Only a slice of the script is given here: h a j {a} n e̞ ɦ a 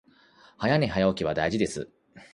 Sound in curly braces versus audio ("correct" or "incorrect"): correct